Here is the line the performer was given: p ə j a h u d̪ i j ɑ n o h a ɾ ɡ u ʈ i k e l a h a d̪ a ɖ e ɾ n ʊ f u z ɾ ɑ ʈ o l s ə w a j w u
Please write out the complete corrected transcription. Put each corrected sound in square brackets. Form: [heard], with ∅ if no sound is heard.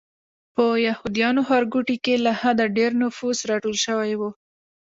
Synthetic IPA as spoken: p ə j a h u d̪ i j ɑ n o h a ɾ ɡ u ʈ i k e l a h a d̪ a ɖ e ɾ n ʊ f u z ɾ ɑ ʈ o l [ʃ] ə w a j w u